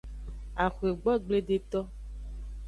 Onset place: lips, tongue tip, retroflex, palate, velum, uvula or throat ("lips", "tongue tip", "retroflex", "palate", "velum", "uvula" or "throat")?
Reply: velum